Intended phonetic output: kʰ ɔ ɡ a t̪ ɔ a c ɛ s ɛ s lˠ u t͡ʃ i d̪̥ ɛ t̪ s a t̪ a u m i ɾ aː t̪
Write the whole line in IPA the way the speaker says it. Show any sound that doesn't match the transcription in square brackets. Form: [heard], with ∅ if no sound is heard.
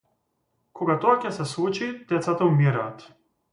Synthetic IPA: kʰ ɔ ɡ a t̪ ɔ a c ɛ s ɛ s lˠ u t͡ʃ i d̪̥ ɛ t̪ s a t̪ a u m i ɾ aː t̪